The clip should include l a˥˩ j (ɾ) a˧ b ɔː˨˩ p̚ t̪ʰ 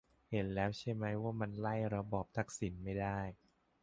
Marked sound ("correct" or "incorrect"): correct